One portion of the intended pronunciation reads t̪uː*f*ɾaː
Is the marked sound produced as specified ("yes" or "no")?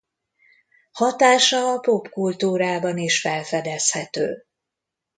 no